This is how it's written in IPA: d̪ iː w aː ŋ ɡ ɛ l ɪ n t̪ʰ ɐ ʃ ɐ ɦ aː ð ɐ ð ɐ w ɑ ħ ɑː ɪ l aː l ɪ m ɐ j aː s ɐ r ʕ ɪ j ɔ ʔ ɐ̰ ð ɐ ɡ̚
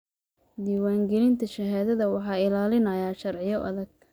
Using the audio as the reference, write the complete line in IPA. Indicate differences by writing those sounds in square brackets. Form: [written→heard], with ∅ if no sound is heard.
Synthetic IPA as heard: d̪ iː w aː ŋ ɡ ɛ l ɪ n t̪ʰ ɐ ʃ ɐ ɦ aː ð ɐ ð ɐ w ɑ ħ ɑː ɪ l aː l ɪ [m→n] ɐ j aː [s→ʃ] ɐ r ʕ ɪ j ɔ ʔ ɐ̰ ð ɐ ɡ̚

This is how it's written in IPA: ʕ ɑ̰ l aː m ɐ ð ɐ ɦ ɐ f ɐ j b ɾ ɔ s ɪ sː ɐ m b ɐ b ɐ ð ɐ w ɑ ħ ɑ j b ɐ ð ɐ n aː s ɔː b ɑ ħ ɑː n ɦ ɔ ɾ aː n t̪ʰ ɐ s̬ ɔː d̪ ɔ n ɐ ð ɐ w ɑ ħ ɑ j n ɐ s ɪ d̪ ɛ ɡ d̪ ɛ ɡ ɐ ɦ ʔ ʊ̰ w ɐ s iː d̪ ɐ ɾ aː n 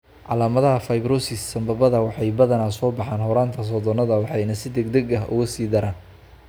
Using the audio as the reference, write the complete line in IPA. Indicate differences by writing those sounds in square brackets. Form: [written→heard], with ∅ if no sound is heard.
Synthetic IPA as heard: ʕ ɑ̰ l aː m ɐ ð ɐ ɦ ɐ f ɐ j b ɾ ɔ s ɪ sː ɐ m b ɐ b ɐ ð ɐ w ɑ ħ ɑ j b ɐ ð ɐ n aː s ɔː b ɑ ħ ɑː n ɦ ɔ ɾ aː n t̪ʰ ɐ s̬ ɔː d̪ ɔ n ɐ ð ɐ w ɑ ħ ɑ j n ɐ s ɪ d̪ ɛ ɡ d̪ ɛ ɡ ɐ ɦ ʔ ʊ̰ [w→ɣ] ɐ s iː d̪ ɐ ɾ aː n

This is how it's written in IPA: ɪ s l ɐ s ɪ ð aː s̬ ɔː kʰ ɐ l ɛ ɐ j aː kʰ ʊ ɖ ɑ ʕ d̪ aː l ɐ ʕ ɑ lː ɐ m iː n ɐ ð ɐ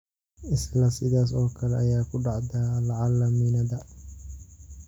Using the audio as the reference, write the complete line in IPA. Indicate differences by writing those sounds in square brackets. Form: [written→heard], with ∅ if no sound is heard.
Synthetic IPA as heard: ɪ s l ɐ s ɪ ð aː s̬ ɔː kʰ ɐ l ɛ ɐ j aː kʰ ʊ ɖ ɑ ʕ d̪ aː l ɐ ʕ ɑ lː ɐ m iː n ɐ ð ɐ

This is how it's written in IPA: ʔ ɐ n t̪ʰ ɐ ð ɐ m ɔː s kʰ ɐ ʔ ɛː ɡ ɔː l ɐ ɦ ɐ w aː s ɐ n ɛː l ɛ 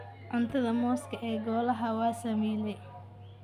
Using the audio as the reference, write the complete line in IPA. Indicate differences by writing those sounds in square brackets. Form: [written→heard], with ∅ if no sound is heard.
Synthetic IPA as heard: ʔ ɐ n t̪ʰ ɐ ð ɐ m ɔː s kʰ ɐ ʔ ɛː ɡ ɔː l ɐ ɦ ɐ w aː s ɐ [n→m] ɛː l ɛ

